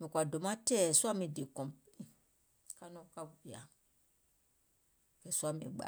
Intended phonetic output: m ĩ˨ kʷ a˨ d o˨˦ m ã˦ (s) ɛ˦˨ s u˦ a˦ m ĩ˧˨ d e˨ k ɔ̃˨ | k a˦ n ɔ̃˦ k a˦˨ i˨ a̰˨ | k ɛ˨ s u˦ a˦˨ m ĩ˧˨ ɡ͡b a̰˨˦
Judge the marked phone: incorrect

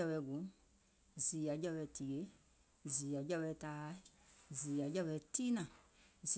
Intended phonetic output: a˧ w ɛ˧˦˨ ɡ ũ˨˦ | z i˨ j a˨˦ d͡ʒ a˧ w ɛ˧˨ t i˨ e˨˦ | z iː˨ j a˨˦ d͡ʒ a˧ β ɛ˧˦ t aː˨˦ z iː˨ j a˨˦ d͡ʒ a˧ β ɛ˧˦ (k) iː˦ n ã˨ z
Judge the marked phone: incorrect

